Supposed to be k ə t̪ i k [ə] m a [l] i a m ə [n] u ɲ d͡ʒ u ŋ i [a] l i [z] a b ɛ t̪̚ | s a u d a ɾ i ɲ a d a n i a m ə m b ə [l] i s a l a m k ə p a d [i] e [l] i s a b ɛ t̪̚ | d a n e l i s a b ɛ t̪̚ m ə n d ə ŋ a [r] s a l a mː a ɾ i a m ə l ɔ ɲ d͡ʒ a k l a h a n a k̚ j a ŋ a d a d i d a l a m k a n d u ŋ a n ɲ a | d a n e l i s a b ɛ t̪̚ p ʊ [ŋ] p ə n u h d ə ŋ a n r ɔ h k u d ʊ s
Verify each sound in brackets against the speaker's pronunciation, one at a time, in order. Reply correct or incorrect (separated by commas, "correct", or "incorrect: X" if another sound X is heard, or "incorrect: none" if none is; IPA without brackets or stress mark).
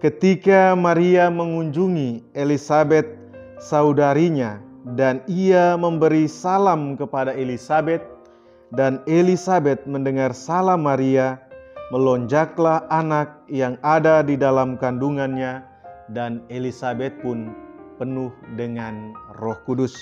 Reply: incorrect: a, incorrect: ɾ, incorrect: ŋ, incorrect: e, incorrect: s, incorrect: ɾ, incorrect: a, correct, correct, incorrect: n